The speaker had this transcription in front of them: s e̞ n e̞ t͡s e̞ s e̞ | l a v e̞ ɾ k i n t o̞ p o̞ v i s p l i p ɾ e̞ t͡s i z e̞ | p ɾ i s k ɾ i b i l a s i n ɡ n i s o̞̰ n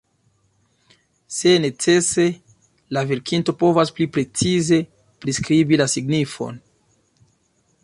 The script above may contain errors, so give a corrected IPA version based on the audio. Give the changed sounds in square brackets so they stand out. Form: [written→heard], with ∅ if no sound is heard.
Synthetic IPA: s e̞ n e̞ t͡s e̞ s e̞ | l a v e̞ ɾ k i n t o̞ p o̞ v [i→a] s p l i p ɾ e̞ t͡s i z e̞ | p ɾ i s k ɾ i b i l a s i [n→∅] ɡ n i [s→f] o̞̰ n